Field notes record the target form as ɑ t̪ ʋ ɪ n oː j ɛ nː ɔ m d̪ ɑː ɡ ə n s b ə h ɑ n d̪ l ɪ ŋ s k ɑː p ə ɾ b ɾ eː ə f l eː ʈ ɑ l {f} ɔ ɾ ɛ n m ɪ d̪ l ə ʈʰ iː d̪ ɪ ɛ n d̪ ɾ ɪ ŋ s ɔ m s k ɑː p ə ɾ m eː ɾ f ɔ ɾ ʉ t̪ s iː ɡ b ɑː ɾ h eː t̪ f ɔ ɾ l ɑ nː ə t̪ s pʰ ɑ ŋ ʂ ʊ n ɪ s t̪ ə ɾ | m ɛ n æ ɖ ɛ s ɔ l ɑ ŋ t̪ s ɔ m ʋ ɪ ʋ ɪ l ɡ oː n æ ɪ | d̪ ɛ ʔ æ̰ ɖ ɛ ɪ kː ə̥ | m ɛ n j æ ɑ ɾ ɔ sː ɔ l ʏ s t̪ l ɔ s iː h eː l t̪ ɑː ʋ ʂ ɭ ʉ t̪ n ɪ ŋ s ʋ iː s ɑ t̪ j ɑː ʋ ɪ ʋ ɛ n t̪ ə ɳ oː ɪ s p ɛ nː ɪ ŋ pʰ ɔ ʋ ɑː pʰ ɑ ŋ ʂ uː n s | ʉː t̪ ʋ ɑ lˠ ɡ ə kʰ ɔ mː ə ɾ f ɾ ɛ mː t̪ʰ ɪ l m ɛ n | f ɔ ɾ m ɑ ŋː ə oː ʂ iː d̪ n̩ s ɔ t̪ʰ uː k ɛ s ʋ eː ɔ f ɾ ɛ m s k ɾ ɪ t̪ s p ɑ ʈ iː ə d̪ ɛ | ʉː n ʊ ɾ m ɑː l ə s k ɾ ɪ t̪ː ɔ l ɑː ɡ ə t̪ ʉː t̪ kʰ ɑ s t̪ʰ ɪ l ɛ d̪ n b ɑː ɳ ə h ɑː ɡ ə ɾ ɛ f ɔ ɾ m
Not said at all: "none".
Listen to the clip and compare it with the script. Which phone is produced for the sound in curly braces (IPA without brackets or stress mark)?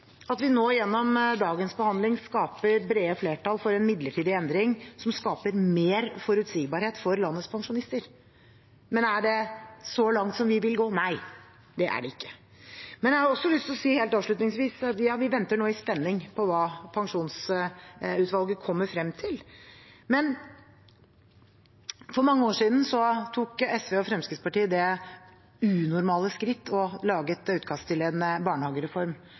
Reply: f